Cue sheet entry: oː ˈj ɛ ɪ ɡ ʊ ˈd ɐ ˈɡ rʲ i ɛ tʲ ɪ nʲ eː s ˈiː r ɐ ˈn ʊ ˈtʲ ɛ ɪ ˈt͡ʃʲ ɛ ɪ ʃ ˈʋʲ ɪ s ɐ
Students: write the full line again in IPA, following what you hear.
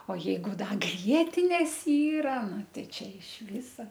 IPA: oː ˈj ɛ ɪ ɡ ʊ ˈd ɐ ˈɡ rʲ i ɛ tʲ ɪ nʲ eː s ˈiː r ɐ ˈn ʊ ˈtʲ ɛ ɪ ˈt͡ʃʲ ɛ ɪ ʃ ˈʋʲ ɪ s ɐ